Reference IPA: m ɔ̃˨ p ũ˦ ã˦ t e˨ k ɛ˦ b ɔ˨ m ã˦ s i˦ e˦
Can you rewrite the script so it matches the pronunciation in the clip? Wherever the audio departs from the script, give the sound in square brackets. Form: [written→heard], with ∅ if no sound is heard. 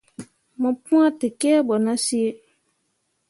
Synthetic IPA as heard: m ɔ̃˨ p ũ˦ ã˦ t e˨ k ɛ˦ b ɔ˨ [m→n] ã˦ s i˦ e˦